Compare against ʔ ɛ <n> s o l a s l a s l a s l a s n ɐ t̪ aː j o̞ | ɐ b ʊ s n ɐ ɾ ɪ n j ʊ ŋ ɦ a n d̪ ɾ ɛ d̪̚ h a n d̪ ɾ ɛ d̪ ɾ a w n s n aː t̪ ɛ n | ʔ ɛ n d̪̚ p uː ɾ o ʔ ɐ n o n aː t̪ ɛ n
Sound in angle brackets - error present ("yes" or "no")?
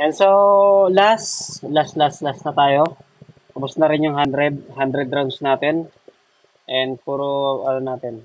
no